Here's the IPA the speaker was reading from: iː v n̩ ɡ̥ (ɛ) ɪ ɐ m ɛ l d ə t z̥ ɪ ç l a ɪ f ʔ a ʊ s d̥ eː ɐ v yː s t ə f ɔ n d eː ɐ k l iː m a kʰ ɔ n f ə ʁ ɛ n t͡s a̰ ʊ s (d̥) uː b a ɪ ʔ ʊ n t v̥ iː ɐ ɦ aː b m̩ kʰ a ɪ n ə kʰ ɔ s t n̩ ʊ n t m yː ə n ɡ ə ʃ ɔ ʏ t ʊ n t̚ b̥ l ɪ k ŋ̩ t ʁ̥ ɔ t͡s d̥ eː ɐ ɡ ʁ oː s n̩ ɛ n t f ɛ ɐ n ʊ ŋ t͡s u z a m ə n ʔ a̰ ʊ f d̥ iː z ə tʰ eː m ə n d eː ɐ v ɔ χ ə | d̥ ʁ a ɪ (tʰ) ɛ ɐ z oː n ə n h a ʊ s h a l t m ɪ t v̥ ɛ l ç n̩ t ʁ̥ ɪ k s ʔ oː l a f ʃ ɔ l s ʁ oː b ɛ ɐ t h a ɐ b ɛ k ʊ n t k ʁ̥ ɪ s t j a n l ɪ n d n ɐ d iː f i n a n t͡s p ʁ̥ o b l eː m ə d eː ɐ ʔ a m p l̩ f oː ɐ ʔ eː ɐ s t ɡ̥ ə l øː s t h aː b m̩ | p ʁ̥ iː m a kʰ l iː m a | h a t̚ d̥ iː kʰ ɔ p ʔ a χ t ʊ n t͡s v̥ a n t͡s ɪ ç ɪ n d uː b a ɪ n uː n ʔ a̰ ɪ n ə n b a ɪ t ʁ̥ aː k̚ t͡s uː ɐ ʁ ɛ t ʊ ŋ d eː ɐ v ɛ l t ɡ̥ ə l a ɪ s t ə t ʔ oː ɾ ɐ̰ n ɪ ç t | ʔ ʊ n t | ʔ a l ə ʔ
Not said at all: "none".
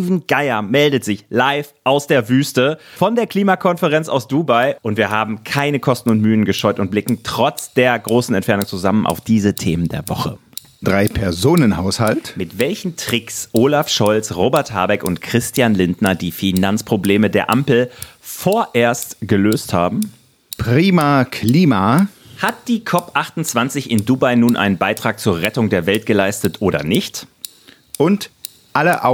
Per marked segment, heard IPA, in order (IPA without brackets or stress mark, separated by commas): a, d̥, pʰ